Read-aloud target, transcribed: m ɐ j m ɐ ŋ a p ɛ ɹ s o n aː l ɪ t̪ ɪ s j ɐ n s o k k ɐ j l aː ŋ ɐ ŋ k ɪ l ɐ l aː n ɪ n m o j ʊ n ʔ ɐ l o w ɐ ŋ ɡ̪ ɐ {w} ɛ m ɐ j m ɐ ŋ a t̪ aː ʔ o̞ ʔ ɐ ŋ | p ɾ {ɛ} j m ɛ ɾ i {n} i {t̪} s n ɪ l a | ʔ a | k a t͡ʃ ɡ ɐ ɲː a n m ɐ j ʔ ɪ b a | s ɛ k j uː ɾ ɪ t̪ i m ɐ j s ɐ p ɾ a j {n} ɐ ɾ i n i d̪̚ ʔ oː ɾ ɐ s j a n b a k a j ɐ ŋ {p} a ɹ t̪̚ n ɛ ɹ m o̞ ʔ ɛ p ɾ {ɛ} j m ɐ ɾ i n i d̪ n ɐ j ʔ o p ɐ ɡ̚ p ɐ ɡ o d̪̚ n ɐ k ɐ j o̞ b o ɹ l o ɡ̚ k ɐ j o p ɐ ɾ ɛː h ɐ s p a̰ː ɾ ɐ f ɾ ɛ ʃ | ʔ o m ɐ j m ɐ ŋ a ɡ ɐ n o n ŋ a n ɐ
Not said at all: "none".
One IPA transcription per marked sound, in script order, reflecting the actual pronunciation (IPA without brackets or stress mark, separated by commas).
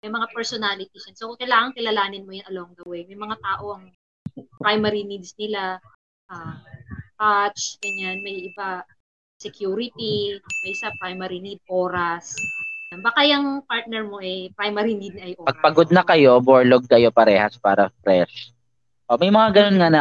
w, a, n, d̪, m, p, a